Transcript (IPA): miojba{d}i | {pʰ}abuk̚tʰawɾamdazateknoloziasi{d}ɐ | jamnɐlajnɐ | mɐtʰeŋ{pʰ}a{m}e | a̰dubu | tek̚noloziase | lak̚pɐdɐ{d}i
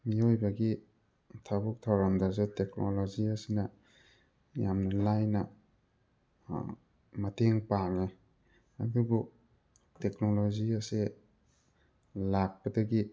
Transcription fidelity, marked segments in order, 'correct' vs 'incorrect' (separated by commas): incorrect, incorrect, incorrect, incorrect, incorrect, incorrect